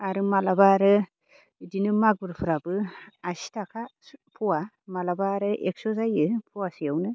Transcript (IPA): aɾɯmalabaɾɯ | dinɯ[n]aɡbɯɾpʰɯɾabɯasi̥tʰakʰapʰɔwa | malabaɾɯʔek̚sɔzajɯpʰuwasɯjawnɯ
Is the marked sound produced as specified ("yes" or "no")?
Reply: no